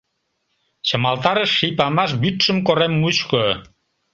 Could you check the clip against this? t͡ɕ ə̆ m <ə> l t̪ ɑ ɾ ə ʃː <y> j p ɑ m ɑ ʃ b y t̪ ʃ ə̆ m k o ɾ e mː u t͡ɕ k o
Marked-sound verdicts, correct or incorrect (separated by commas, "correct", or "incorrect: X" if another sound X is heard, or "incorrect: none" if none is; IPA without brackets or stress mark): incorrect: ɑ, incorrect: i